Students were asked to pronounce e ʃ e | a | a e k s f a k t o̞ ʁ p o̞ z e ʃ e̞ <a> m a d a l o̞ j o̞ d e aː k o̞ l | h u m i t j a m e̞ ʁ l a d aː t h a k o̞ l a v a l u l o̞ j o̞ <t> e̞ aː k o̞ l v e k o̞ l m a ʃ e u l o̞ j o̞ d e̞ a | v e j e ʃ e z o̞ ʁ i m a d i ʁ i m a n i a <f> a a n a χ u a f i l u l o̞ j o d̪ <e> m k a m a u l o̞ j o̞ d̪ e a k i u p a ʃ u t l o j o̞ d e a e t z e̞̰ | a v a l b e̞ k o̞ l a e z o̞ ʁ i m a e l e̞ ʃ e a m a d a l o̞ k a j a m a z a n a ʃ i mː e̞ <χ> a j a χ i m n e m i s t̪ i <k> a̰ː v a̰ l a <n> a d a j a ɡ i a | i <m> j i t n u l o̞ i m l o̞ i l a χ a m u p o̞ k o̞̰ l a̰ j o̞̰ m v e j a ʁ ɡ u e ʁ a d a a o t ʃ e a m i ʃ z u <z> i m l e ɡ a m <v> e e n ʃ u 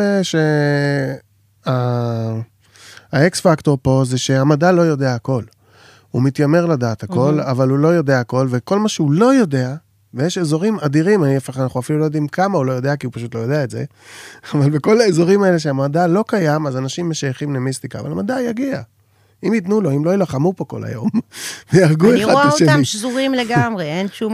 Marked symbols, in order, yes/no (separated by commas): yes, no, yes, no, no, yes, no, yes, no, no